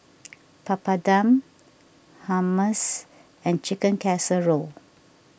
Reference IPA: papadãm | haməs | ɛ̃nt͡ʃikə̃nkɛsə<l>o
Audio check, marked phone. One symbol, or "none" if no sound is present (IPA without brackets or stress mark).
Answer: ɹ